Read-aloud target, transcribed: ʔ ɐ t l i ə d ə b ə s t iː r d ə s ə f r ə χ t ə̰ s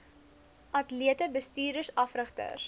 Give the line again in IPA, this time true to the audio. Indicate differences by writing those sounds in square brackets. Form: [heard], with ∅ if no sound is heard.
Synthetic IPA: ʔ ɐ t l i ə [t] ə b ə s t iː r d ə s [ɐ] f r ə χ t ə̰ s